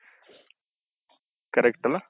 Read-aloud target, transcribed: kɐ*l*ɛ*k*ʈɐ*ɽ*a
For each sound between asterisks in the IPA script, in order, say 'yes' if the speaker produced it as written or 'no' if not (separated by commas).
no, yes, no